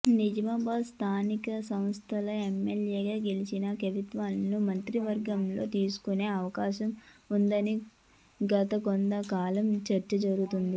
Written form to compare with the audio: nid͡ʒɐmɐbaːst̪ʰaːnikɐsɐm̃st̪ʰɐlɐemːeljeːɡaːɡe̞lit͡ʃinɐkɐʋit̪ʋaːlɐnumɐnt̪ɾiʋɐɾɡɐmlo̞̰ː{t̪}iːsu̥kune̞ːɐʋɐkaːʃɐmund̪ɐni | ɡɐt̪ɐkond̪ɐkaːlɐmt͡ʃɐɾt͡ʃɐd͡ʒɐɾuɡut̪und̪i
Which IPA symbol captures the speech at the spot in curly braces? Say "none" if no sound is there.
t̪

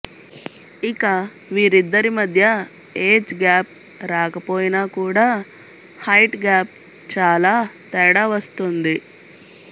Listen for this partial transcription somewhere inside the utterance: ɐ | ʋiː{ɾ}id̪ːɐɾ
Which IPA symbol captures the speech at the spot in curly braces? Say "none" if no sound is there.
ɾ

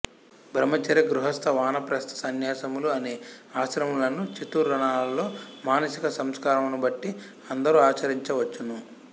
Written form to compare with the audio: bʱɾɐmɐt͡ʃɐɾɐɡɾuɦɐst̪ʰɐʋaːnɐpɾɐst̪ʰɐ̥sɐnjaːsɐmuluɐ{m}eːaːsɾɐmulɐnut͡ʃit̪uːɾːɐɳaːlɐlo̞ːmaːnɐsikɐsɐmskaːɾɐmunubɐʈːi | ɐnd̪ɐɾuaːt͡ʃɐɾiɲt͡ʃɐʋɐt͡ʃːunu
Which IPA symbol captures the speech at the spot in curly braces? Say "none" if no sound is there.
n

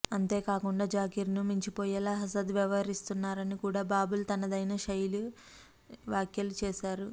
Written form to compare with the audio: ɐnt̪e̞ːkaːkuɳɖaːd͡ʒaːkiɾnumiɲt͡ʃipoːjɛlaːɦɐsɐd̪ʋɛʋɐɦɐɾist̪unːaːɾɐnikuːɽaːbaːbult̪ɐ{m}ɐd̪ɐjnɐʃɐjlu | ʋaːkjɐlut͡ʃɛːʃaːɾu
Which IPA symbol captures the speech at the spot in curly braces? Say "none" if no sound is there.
n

